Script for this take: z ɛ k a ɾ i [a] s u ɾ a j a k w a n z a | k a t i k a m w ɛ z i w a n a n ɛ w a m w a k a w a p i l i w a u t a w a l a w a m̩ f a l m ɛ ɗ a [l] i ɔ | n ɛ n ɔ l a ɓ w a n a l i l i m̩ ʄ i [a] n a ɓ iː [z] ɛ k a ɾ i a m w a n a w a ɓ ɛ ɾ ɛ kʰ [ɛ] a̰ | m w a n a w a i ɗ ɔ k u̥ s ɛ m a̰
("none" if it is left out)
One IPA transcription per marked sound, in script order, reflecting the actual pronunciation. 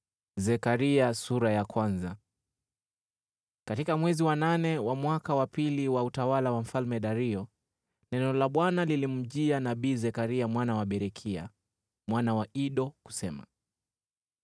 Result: a, ɾ, a, z, i

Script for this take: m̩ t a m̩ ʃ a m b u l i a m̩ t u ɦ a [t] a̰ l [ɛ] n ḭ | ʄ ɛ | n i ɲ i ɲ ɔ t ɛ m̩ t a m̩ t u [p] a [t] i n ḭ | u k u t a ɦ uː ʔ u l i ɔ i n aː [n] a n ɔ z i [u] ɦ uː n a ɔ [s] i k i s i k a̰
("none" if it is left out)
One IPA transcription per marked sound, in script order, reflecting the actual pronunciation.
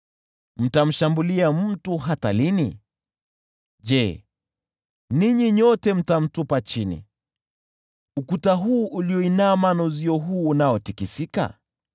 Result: t, i, p, t͡ʃ, m, ɔ, t

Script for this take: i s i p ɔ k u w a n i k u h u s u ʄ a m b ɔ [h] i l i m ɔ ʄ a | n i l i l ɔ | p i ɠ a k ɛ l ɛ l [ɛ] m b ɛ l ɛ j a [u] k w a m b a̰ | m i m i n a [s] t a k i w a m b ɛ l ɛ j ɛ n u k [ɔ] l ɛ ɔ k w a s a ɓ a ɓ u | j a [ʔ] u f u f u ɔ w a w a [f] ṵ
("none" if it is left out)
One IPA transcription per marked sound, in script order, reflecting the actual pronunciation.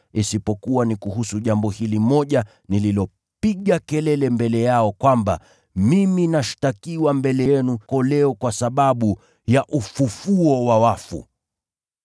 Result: h, ɛ, ɔ, ʃ, ɔ, ʔ, f

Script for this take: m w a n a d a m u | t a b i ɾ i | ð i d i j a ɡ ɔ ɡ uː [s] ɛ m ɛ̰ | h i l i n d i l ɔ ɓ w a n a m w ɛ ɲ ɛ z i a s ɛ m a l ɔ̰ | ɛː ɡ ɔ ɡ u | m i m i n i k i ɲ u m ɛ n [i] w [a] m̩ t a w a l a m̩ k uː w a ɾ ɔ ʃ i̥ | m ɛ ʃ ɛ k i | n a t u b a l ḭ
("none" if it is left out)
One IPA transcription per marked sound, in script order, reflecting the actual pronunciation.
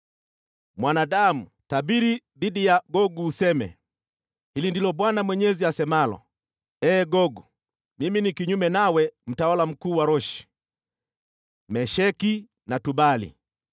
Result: s, a, ɛ

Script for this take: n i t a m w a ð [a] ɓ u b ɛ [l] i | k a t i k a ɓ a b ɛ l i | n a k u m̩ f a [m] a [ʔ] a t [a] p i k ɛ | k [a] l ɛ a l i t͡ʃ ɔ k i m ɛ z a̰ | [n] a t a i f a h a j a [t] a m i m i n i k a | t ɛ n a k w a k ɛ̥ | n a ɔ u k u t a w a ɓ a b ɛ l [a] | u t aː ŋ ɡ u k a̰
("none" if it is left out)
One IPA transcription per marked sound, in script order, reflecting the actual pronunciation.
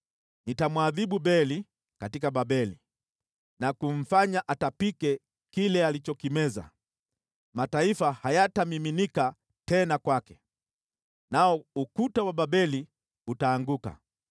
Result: i, l, ɲ, ʔ, a, i, m, t, i

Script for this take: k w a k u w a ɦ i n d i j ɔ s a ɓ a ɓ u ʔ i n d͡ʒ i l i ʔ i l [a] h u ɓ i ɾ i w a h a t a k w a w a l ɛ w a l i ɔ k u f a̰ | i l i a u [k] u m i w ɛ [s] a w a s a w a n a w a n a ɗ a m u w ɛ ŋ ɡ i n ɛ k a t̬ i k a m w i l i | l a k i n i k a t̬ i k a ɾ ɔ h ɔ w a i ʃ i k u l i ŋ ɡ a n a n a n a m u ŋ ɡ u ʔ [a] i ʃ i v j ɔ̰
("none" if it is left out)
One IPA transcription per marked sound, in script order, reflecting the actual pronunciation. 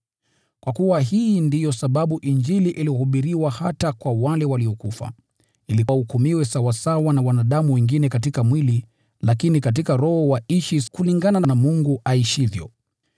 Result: i, k, s, a

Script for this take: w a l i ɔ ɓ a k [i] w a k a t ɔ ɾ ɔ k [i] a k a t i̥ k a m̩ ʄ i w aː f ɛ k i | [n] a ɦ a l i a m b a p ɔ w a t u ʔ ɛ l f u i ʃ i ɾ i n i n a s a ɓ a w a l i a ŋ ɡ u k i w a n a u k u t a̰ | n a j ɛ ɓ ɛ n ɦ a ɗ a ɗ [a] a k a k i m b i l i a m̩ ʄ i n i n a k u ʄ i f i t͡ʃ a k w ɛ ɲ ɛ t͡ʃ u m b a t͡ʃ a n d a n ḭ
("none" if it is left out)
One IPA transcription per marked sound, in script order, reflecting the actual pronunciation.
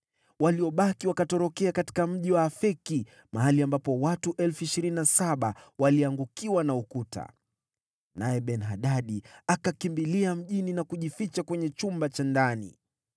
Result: i, ɛ, m, i

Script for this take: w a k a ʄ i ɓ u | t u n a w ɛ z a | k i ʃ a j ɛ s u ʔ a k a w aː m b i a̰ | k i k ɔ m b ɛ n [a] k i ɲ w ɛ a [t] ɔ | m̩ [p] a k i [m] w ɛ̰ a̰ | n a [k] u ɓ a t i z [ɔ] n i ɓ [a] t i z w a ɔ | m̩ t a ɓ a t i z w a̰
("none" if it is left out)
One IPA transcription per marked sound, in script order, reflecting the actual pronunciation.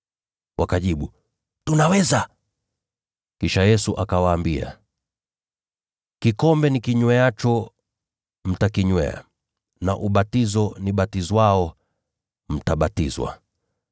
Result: i, t͡ʃ, t, ɲ, ʔ, ɔ, a

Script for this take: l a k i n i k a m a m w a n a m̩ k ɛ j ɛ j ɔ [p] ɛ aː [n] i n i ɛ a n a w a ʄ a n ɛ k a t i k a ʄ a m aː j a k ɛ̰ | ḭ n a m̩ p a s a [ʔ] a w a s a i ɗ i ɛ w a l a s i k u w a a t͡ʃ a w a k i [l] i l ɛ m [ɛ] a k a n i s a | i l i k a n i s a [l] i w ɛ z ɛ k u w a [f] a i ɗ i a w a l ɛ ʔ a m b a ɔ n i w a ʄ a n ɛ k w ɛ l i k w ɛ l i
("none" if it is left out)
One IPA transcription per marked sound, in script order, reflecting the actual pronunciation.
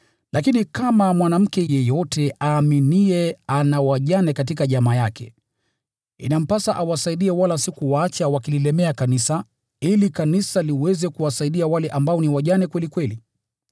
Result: t, m, ʔ, l, ɛ, l, s

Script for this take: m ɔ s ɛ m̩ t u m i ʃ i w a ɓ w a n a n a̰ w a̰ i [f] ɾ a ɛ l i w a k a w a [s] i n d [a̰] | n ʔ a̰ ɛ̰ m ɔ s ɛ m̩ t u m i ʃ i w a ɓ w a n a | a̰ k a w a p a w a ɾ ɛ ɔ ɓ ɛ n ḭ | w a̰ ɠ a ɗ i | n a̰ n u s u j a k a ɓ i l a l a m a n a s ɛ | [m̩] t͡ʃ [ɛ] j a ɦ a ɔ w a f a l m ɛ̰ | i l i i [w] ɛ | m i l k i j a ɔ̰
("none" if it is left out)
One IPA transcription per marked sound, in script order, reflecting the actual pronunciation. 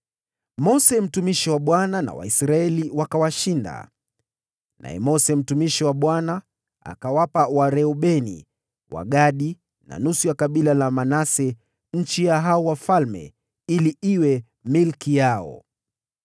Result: s, ʃ, a̰, ɲ̩, i, w

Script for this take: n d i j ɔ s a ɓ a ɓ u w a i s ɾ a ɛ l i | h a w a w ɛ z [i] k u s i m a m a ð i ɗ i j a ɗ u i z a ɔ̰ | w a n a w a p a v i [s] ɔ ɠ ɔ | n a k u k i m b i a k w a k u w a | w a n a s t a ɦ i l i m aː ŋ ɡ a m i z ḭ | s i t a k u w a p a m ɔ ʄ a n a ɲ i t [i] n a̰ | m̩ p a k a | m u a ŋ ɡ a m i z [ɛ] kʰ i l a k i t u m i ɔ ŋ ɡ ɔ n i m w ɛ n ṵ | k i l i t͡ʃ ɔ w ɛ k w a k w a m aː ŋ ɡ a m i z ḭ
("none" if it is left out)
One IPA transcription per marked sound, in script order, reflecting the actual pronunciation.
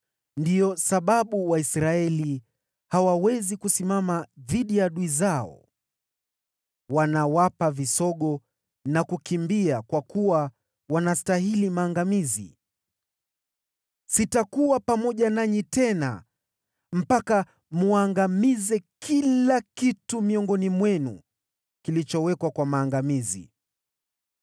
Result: i, s, ɛ, ɛ

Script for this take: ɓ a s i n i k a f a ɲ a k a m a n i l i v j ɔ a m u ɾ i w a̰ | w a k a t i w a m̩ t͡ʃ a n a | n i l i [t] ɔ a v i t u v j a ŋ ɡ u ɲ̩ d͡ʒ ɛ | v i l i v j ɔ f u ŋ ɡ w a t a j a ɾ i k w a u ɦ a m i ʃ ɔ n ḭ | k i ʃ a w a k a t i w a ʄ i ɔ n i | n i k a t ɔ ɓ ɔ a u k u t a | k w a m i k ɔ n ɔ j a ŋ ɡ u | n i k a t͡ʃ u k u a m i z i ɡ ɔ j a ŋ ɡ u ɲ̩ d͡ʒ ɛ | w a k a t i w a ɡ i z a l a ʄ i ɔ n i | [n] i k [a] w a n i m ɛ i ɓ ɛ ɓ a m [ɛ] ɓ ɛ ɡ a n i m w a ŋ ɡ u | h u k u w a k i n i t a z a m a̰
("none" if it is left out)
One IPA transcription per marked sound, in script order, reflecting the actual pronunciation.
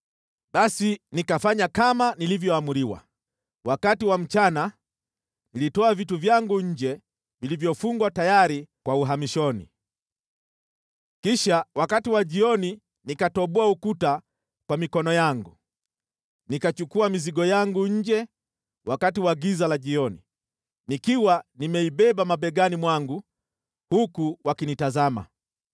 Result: t, n, i, a

